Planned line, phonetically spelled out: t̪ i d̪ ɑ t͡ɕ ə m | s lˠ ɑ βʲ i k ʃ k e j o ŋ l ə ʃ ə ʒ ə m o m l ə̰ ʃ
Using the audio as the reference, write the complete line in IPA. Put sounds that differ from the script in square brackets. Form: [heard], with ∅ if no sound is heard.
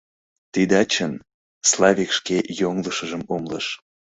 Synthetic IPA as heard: t̪ i d̪ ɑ t͡ɕ ə [n] | s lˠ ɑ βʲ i k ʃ k e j o ŋ l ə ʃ ə ʒ ə m o m l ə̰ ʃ

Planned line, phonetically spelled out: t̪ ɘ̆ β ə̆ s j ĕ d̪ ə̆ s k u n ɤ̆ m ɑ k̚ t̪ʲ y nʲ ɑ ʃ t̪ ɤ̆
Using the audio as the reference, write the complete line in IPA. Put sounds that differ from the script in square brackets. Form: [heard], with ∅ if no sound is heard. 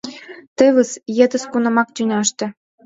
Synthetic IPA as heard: t̪ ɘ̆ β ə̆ s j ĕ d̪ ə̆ s k u n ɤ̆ m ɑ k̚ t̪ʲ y nʲ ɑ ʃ t̪ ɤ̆

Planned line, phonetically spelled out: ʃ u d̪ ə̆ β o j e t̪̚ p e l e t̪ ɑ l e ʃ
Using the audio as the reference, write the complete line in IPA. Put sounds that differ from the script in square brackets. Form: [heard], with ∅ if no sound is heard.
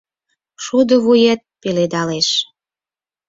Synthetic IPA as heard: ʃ u d̪ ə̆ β [u] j e t̪̚ p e l e [d̪] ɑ l e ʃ

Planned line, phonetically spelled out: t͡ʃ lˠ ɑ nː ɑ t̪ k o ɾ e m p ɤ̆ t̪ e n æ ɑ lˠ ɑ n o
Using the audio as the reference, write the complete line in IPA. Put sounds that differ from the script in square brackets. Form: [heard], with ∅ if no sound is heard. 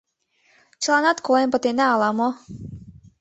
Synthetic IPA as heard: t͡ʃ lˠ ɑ [n] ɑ t̪ k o [l] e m p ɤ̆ t̪ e n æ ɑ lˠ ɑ [m] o

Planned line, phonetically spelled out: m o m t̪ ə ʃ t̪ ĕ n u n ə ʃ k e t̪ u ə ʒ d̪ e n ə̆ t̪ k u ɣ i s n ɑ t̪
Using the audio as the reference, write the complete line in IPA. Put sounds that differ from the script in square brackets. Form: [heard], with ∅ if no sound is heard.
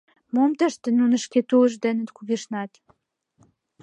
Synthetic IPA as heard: m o m t̪ ə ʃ t̪ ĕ n u n ə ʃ k e t̪ u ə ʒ d̪ e n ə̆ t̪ k u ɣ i [ʃ] n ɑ t̪

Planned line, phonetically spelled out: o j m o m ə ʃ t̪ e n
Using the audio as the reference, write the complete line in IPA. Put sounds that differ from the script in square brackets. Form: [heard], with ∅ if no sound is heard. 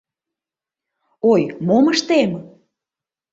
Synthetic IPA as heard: o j m o m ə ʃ t̪ e [m]

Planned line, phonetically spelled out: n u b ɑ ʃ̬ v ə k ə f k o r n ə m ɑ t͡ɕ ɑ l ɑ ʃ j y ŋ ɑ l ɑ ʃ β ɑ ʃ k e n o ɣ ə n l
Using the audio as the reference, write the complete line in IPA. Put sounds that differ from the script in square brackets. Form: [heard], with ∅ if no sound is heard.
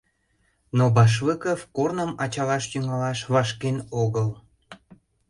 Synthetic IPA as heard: n [o] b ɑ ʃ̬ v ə k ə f k o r n ə m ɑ t͡ɕ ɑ l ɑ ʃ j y ŋ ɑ l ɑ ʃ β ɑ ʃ k e n o ɣ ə [∅] l

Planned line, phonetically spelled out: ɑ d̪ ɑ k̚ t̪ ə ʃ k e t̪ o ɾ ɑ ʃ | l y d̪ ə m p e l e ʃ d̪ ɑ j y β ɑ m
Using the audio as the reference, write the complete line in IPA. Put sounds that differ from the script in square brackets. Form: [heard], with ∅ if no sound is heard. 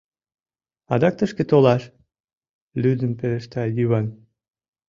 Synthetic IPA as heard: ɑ d̪ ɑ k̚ t̪ ə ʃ k e t̪ o [l] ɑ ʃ | l y d̪ ə m p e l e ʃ [t̪] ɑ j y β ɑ [n]

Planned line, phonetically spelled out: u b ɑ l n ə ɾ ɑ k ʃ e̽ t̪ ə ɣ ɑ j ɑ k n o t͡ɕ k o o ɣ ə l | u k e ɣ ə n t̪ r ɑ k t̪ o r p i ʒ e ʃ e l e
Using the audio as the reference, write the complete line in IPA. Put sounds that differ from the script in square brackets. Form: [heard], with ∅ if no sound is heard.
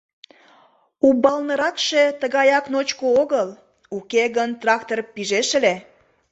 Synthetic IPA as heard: u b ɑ l n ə ɾ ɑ k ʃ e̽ t̪ ə ɣ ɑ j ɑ k n o t͡ɕ k o o ɣ ə l | u k e ɣ ə n t̪ r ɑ k t̪ o r p i ʒ e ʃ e l e

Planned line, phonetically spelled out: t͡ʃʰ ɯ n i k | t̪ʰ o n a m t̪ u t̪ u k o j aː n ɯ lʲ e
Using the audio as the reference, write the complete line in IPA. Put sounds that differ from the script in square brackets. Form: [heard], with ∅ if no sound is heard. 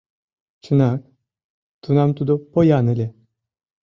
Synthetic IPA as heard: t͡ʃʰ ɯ n [a] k | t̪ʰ [u] n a m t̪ u [d̪] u [p] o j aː n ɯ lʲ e

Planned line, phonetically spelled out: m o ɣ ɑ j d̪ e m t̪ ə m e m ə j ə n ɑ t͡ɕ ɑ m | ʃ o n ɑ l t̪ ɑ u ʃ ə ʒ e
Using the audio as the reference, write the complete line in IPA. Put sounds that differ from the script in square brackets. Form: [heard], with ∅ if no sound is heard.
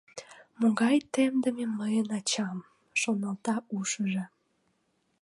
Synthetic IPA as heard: m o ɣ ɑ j [t̪] e m [d̪] ə m e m ə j ə n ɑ t͡ɕ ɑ m | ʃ o n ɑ l t̪ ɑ u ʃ ə ʒ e

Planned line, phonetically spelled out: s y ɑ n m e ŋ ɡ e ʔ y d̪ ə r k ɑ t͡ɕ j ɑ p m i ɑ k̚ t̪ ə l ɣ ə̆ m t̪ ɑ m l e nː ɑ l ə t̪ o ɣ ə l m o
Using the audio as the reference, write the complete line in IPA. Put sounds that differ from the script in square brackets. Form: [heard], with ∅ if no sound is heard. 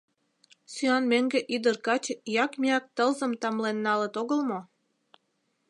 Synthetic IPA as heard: s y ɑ n m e ŋ ɡ e ʔ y d̪ ə r k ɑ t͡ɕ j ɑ [k] m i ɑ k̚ t̪ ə l [z] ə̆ m t̪ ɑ m l e nː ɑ l ə t̪ o ɣ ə l m o

